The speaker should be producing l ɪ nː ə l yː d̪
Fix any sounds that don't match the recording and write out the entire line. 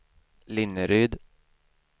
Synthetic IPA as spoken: l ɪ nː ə ɾ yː d̪